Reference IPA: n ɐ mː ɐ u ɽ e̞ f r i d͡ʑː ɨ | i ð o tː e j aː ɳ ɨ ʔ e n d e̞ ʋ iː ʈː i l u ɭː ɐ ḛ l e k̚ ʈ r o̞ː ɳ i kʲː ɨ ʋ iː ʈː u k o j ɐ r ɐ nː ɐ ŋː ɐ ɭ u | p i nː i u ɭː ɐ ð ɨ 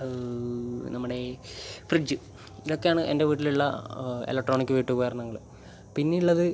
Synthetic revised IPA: n ɐ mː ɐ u ɽ e̞ f r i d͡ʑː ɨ | i ð o kː e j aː ɳ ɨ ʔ e n d e̞ ʋ iː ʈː i l u ɭː ɐ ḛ l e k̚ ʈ r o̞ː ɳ i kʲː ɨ ʋ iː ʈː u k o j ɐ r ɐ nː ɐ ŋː ɐ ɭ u | p i nː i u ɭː ɐ ð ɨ